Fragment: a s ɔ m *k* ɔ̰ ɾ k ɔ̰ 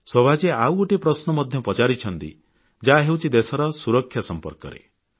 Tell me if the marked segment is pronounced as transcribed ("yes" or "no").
no